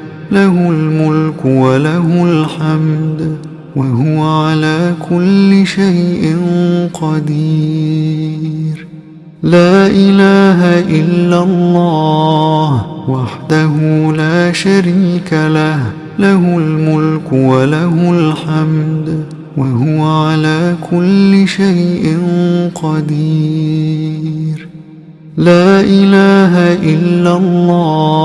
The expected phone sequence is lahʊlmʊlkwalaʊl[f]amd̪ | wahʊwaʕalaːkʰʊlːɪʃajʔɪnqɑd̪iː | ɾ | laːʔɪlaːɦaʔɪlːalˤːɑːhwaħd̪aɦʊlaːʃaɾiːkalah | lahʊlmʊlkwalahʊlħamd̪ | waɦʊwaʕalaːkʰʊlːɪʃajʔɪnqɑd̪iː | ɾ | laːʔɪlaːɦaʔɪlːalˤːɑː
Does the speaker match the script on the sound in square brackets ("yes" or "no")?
no